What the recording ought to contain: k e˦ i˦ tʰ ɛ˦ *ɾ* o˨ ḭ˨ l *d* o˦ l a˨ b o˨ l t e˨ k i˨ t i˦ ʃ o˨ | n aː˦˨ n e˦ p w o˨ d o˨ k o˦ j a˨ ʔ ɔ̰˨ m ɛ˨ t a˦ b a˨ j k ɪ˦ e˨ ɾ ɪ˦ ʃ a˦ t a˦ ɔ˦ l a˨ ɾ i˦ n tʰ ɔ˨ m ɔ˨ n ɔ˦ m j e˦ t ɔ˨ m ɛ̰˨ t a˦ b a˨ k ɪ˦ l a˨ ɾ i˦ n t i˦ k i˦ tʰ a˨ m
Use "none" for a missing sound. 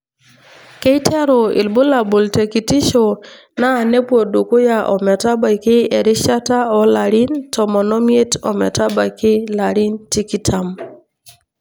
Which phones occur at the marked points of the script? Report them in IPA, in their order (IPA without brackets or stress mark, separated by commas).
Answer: ɾ, b